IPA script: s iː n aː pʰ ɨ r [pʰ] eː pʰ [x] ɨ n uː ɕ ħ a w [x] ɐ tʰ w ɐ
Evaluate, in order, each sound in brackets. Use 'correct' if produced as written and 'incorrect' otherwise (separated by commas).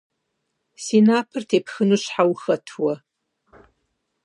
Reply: incorrect, correct, correct